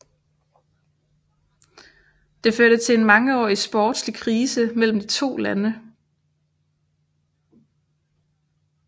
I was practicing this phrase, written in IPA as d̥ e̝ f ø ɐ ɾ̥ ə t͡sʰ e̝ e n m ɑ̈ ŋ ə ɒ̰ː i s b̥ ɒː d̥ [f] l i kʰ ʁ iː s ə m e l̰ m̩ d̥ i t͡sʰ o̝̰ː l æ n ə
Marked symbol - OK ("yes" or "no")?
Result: no